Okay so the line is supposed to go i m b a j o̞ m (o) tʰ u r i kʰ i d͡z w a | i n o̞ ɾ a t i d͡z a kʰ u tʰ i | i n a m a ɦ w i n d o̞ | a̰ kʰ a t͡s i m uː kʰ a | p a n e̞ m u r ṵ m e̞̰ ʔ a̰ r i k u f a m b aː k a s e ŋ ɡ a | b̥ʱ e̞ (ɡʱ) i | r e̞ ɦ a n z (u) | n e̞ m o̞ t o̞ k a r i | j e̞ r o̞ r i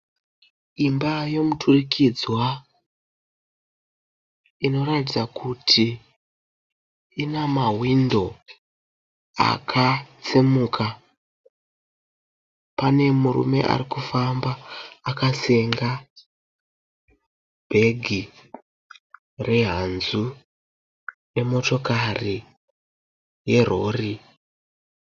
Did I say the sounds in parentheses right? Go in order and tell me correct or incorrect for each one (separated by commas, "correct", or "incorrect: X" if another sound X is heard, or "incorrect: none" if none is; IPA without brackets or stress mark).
incorrect: u, correct, correct